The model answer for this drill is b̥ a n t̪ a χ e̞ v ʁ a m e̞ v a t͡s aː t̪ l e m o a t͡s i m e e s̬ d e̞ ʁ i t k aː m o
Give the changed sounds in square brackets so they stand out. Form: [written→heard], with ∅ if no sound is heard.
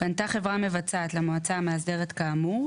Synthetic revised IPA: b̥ a n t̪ a χ e̞ v ʁ a m e̞ v a t͡s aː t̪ l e m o a t͡s [i→a] m e [e→a] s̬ d e̞ ʁ [i→e] t k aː m [o→u]